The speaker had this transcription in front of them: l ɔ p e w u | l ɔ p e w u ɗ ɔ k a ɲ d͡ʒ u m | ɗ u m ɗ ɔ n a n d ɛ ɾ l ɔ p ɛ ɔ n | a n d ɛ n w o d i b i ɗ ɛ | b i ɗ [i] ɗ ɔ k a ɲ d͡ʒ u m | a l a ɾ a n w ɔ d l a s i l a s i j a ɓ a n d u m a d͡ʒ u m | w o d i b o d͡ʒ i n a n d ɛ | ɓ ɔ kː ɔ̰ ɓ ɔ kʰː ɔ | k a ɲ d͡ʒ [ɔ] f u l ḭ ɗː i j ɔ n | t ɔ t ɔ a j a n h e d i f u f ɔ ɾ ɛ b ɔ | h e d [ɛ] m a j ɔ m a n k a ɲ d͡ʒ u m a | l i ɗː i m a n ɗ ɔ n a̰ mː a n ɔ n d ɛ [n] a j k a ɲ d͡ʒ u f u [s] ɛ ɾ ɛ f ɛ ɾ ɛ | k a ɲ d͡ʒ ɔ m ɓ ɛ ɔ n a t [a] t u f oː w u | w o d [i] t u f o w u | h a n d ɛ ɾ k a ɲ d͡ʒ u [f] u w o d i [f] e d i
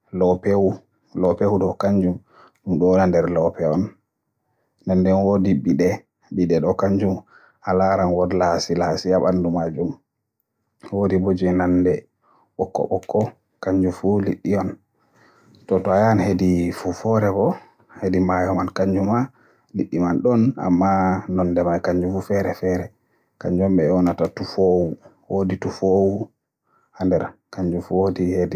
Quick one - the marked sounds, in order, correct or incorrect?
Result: incorrect: ɛ, incorrect: u, incorrect: i, incorrect: m, incorrect: f, correct, correct, correct, incorrect: h

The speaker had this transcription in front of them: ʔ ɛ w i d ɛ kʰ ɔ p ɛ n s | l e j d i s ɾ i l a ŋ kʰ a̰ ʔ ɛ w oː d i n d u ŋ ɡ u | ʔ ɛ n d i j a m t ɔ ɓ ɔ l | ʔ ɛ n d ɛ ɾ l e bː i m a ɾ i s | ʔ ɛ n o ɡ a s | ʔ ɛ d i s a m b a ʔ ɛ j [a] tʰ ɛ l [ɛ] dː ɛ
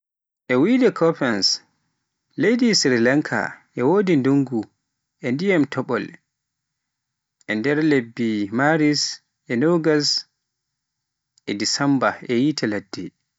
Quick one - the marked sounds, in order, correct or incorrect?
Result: incorrect: i, incorrect: a

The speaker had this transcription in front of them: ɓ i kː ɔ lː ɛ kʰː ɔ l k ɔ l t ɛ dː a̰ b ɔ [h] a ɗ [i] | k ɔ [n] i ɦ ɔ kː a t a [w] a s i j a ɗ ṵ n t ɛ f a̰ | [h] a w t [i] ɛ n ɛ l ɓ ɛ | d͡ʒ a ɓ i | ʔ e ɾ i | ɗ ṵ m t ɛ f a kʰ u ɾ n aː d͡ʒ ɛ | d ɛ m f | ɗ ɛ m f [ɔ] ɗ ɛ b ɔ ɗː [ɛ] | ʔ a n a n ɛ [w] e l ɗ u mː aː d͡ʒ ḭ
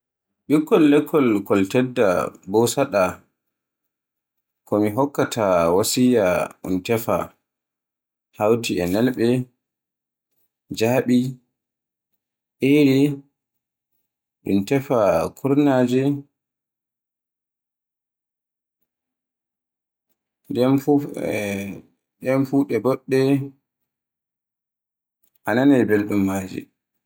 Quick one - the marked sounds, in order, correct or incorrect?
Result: incorrect: s, incorrect: a, incorrect: m, correct, correct, correct, incorrect: u, correct, incorrect: b

